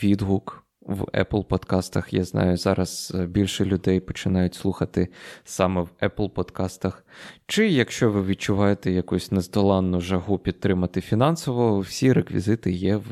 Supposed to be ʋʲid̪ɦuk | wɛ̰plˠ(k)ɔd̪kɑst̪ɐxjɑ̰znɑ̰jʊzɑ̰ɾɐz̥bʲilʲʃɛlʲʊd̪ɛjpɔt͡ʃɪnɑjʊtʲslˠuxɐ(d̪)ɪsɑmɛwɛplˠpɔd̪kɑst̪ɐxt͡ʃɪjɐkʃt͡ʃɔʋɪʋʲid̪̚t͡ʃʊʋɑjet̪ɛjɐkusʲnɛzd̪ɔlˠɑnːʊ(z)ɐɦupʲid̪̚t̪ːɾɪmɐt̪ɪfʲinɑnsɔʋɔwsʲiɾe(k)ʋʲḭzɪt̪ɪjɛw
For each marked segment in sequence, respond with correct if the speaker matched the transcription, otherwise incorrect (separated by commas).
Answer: incorrect, incorrect, incorrect, correct